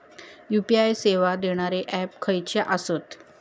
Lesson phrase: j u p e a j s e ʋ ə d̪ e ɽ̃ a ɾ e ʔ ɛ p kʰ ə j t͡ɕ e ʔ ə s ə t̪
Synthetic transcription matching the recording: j u p i a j s e ʋ a d̪ e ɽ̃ a ɾ e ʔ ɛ p kʰ ə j t͡ɕ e ʔ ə s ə t̪